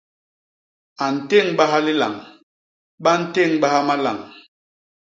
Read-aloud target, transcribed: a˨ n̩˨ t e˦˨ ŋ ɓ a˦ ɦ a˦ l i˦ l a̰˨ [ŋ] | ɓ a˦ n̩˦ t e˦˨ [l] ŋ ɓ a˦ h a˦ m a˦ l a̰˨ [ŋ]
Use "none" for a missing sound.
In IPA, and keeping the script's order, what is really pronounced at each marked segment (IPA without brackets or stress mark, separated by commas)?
ŋ, none, ŋ